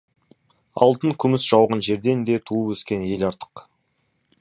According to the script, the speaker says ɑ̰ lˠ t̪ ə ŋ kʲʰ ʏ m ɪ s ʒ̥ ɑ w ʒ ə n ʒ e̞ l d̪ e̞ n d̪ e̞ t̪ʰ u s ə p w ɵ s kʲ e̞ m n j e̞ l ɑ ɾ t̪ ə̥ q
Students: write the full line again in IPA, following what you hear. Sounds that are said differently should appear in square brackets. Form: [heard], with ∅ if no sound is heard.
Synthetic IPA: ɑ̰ lˠ t̪ ə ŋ kʲʰ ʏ m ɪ s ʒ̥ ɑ w [ʁ] ə n ʒ e̞ [ɾ] d̪ e̞ n d̪ e̞ t̪ʰ u [∅] ə p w ɵ s kʲ e̞ [∅] n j e̞ l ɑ ɾ t̪ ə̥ q